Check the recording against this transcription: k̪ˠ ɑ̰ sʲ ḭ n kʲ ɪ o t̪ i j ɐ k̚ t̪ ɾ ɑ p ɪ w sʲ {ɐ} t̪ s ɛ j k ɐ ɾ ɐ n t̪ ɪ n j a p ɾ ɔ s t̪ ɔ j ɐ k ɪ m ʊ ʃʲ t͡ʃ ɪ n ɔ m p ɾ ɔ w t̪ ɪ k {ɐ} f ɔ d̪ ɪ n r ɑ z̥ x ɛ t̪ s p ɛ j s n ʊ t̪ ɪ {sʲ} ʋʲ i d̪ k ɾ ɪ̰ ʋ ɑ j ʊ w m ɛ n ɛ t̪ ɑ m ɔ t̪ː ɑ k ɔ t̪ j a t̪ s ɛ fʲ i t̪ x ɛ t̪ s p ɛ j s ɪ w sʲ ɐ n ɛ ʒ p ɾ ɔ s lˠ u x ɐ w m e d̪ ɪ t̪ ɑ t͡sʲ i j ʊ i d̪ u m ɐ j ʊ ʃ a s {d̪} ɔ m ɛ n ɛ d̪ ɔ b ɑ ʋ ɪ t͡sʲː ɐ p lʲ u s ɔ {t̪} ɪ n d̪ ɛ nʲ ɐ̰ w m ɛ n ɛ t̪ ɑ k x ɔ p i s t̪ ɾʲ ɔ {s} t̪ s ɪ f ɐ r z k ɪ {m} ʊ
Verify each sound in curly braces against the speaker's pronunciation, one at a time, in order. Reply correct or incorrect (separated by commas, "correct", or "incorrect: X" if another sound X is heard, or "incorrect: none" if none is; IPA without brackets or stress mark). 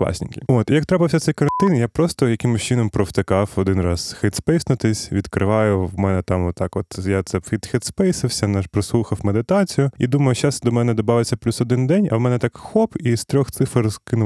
correct, incorrect: ɑ, correct, correct, incorrect: d̪, incorrect: x, incorrect: n